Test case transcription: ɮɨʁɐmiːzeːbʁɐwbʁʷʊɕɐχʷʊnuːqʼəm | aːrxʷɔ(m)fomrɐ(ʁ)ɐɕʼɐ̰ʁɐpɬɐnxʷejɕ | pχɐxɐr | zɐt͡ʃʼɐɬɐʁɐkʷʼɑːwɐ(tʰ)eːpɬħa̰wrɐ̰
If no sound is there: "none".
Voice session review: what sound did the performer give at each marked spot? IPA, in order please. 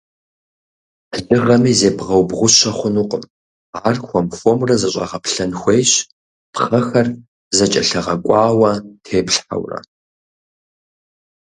m, z, tʰ

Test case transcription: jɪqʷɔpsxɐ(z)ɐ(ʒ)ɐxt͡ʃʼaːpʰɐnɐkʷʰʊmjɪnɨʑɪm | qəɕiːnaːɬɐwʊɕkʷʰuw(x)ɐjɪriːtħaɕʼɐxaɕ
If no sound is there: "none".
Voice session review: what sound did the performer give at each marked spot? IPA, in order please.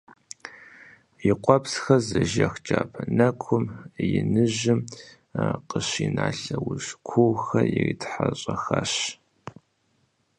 z, ʒ, x

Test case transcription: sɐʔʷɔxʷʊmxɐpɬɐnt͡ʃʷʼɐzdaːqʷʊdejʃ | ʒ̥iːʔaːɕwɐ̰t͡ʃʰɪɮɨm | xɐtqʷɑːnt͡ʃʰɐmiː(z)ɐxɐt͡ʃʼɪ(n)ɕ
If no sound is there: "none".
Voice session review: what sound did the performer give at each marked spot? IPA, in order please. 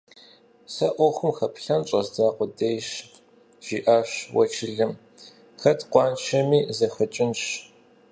z, n

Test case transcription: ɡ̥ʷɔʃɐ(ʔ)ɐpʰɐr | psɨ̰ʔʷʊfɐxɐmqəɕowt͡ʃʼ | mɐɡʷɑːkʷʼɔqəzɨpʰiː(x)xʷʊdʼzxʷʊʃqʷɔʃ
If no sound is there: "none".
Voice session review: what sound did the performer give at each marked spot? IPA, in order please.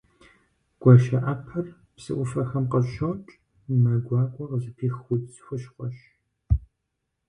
ʔ, x

